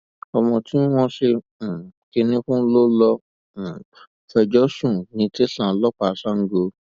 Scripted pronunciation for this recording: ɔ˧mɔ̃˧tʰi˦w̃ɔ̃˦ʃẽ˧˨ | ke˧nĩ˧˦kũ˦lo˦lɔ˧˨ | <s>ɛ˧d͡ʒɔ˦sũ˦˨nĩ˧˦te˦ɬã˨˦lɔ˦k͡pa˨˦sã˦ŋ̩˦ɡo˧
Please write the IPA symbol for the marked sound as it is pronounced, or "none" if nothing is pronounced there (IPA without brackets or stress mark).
f